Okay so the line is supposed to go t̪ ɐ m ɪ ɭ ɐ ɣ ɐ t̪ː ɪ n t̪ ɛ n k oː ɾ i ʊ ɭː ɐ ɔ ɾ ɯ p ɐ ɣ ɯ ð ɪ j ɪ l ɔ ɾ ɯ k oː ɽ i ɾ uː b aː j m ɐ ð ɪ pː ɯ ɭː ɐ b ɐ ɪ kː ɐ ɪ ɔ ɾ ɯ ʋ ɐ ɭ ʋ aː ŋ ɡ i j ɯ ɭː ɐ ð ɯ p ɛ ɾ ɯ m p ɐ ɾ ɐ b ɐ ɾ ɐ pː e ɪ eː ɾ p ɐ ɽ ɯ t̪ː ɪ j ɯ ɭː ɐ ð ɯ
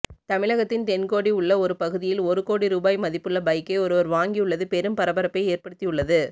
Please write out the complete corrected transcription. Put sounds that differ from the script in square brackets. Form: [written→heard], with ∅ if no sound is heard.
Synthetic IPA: t̪ ɐ m ɪ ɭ ɐ ɣ ɐ t̪ː ɪ n t̪ ɛ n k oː [ɾ→ɽ] i ʊ ɭː ɐ ɔ ɾ ɯ p ɐ ɣ ɯ ð ɪ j ɪ l ɔ ɾ ɯ k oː ɽ i ɾ uː b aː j m ɐ ð ɪ pː ɯ ɭː ɐ b ɐ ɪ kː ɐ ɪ ɔ ɾ ɯ ʋ ɐ [ɭ→ɾ] ʋ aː ŋ ɡ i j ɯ ɭː ɐ ð ɯ p ɛ ɾ ɯ m p ɐ ɾ ɐ b ɐ ɾ ɐ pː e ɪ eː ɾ p ɐ ɽ ɯ t̪ː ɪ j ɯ ɭː ɐ ð ɯ